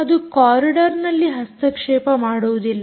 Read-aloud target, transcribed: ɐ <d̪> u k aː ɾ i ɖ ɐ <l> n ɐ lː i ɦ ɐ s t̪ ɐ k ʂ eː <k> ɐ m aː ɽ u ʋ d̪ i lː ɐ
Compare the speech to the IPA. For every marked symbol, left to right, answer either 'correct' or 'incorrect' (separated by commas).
correct, incorrect, incorrect